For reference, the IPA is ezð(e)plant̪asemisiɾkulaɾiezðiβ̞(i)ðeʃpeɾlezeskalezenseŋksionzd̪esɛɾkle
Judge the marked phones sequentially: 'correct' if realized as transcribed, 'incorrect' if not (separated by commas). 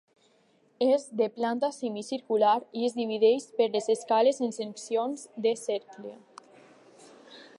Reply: correct, correct